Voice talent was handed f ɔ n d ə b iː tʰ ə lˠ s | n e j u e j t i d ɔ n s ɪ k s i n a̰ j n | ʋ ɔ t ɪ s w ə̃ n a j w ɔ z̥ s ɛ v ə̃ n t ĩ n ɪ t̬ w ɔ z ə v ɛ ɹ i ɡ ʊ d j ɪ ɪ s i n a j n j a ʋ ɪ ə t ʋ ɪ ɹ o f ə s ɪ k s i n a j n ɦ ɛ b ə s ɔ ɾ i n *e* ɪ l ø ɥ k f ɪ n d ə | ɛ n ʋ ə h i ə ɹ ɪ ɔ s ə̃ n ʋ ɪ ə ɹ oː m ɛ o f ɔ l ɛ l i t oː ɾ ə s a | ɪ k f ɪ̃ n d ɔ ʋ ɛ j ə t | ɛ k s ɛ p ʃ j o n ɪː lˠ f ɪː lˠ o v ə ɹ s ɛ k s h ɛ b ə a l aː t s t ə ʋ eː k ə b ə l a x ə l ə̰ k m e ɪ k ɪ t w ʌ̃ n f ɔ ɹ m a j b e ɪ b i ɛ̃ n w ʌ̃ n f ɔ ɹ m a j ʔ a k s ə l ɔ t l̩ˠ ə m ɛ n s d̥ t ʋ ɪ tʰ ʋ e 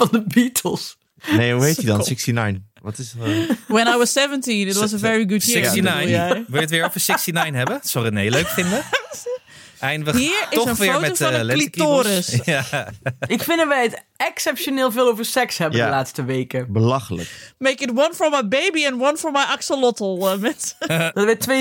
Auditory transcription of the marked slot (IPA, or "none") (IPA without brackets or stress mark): e